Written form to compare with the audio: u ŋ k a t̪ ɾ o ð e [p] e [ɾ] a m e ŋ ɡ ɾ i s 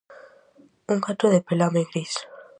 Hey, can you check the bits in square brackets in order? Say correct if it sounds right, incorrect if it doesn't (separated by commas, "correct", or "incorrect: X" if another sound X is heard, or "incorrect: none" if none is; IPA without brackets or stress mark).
correct, incorrect: l